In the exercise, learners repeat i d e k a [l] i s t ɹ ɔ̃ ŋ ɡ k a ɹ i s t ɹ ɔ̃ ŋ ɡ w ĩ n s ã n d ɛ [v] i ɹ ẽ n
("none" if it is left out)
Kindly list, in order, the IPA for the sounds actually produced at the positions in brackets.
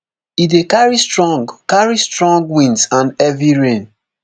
ɹ, v

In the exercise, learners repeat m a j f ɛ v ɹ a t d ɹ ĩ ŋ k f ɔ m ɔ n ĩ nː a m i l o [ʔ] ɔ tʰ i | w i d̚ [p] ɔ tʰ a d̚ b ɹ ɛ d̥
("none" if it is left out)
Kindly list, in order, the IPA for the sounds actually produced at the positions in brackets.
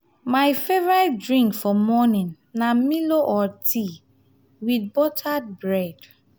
ʔ, b

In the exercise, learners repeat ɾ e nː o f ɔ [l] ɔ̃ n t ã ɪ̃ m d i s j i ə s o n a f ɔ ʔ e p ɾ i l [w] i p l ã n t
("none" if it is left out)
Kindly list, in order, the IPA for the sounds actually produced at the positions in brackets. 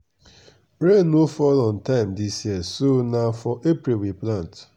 l, w

